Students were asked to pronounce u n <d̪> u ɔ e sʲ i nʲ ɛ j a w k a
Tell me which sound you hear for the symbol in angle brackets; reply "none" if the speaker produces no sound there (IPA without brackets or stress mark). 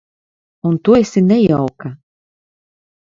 t̪